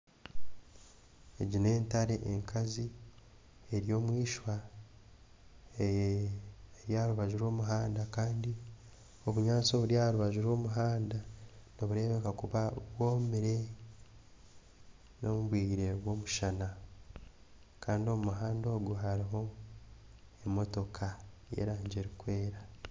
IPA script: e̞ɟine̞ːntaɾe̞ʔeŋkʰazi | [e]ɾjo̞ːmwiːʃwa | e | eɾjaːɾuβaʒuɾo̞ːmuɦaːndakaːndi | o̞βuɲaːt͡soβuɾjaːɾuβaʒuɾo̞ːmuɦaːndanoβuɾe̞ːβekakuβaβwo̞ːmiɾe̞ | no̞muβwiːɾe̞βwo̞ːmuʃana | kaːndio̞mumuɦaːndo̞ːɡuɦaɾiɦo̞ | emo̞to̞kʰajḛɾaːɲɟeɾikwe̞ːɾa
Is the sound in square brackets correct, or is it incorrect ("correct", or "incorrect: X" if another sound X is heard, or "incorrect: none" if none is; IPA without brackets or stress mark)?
correct